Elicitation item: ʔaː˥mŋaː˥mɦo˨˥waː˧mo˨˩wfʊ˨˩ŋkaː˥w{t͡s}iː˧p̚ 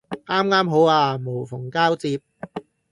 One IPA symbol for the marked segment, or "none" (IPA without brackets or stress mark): t͡s